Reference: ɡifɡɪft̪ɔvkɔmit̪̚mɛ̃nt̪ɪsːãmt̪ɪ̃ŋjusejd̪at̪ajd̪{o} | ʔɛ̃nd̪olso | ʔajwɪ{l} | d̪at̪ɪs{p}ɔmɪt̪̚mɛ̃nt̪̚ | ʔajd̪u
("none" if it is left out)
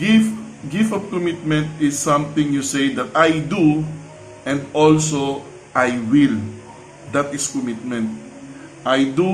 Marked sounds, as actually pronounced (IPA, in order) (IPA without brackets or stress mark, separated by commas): u, l, k